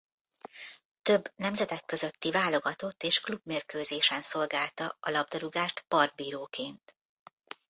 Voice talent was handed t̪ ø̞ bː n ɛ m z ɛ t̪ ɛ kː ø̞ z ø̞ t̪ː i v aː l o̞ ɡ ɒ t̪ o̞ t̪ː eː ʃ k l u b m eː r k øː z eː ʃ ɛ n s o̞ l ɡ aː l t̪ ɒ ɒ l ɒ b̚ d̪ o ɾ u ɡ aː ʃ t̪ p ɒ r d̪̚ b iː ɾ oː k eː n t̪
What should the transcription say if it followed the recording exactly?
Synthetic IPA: t̪ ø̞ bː n ɛ m z ɛ t̪ ɛ kː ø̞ z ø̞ t̪ː i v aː l o̞ ɡ ɒ t̪ o̞ t̪ː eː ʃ k l u b m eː r k øː z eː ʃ ɛ n s o̞ l ɡ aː l t̪ ɒ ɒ l ɒ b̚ d̪ ɒ ɾ u ɡ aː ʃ t̪ p ɒ r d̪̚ b iː ɾ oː k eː n t̪